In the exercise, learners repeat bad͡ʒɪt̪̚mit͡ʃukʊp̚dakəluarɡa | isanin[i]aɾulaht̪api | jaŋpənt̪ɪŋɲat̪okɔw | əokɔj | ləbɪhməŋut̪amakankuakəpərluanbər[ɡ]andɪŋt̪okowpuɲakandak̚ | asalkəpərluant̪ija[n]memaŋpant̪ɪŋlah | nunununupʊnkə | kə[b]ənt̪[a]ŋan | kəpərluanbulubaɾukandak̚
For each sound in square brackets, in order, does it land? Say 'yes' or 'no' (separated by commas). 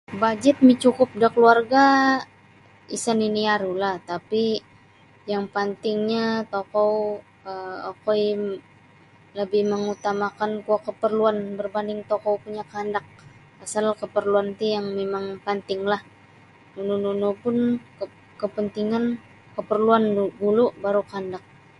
yes, no, no, no, no